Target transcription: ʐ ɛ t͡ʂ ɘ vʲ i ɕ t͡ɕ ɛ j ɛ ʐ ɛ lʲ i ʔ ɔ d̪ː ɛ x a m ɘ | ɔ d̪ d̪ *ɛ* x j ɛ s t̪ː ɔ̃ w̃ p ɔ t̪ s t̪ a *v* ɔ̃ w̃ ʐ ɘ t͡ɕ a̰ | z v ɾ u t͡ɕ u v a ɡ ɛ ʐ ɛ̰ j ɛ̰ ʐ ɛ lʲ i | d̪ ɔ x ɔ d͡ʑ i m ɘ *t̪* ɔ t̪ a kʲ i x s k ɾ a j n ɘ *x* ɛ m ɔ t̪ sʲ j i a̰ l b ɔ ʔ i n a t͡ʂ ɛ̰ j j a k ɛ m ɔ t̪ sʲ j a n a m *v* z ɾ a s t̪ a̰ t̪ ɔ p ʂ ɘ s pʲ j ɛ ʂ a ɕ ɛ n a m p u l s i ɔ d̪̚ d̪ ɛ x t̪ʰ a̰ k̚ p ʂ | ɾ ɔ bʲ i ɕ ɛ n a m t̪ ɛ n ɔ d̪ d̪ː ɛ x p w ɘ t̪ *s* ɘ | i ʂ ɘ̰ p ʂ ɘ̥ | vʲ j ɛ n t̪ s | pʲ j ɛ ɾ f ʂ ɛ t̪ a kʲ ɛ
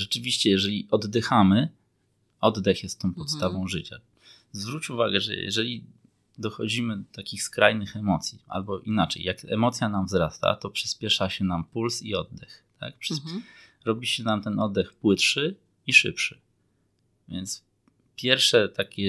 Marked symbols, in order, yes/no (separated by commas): yes, yes, no, yes, yes, no